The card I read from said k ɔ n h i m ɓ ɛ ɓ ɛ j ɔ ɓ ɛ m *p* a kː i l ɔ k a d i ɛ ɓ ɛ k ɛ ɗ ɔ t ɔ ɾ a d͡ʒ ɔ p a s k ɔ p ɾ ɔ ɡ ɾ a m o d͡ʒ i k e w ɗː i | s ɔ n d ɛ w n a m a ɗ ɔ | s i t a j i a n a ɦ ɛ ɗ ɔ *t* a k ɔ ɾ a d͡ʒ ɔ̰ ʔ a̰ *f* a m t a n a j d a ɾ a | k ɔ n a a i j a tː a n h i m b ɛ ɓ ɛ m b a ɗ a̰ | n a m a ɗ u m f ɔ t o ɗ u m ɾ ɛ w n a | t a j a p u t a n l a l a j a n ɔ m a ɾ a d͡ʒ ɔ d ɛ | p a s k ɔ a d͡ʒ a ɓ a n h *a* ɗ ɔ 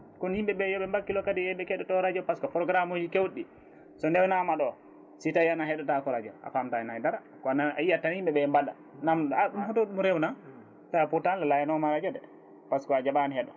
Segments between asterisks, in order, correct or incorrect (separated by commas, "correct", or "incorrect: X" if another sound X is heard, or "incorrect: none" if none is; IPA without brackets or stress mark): incorrect: b, correct, correct, incorrect: ɛ